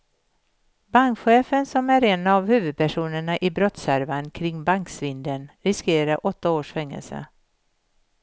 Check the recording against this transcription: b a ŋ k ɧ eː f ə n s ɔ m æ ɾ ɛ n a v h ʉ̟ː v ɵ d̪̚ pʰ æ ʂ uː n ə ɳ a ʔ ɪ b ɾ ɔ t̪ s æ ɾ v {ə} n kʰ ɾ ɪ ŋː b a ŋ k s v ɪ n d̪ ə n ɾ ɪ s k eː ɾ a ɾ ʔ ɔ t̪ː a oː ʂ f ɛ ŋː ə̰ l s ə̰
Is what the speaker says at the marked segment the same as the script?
no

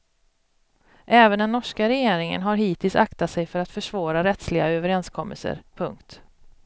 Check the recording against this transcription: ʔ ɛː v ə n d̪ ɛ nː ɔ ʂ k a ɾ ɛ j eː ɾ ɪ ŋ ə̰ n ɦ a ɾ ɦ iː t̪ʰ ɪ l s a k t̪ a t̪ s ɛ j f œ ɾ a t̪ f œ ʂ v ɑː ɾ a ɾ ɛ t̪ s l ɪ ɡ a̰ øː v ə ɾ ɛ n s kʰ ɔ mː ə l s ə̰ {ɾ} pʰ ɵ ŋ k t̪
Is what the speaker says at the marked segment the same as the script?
yes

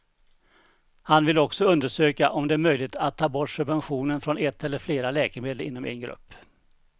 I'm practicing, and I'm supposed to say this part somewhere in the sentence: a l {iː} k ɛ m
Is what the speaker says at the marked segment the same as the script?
no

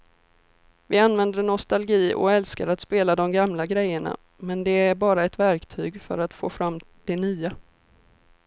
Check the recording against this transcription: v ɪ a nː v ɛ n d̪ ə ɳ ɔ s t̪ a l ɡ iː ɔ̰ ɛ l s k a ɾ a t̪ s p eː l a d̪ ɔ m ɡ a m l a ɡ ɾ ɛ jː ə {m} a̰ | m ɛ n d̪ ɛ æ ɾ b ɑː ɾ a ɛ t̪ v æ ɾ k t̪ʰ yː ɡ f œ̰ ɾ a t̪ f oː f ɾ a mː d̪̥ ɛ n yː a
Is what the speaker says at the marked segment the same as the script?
no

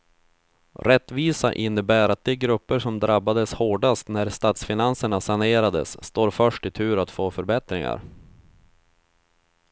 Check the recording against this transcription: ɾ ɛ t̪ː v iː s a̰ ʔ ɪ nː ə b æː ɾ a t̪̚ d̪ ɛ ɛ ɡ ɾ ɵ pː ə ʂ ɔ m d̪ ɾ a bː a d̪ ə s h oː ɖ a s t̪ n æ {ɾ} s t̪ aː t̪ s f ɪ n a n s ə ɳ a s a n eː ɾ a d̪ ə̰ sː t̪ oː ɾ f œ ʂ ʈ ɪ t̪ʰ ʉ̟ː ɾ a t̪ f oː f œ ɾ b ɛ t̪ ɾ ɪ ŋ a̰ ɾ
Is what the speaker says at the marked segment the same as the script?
yes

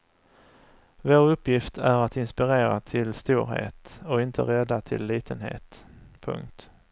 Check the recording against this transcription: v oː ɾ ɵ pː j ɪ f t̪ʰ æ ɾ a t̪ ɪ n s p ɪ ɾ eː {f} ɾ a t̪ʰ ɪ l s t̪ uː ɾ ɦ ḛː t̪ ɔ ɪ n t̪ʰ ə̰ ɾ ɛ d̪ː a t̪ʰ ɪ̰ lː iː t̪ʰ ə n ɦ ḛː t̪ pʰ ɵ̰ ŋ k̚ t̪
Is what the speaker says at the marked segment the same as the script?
no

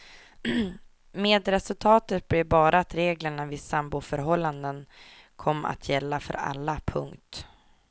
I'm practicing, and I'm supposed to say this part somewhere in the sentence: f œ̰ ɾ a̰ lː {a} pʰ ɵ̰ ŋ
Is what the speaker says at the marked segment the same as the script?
yes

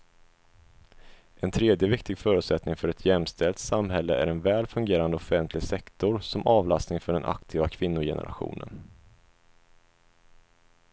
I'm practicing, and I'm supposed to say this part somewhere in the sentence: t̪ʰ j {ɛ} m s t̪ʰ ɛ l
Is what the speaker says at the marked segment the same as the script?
yes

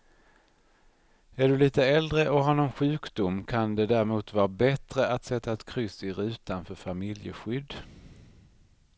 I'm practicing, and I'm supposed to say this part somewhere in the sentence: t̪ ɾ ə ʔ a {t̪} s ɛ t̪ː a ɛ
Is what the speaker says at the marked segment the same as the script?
yes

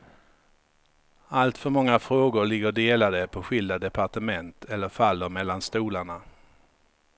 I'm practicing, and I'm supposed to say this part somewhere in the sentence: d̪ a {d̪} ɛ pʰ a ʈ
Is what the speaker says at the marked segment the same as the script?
yes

